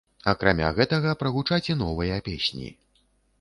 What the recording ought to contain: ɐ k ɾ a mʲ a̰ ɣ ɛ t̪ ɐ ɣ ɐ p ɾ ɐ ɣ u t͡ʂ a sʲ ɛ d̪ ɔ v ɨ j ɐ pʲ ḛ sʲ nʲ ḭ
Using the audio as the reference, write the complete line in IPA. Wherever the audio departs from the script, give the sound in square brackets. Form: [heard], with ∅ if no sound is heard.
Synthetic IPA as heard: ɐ k ɾ a mʲ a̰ ɣ ɛ t̪ ɐ ɣ ɐ p ɾ ɐ ɣ u t͡ʂ a [t͡sʲ] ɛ [n̪] ɔ v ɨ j ɐ pʲ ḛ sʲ nʲ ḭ